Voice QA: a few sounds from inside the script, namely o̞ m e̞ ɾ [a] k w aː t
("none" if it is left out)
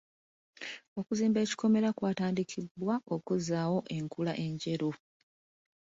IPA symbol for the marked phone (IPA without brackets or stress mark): a